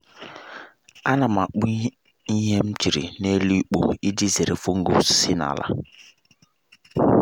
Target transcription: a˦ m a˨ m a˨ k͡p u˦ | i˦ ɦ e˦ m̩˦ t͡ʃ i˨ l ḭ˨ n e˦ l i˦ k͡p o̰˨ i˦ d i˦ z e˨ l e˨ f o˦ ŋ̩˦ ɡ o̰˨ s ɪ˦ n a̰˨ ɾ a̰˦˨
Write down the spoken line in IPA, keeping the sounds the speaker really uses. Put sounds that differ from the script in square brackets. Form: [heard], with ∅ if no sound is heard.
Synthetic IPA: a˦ [n] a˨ m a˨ k͡p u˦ | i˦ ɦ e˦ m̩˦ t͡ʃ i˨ [ɾ] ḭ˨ n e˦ l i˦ k͡p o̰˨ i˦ d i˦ z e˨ [ɾ] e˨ f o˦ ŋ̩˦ ɡ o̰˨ s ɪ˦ n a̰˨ [l] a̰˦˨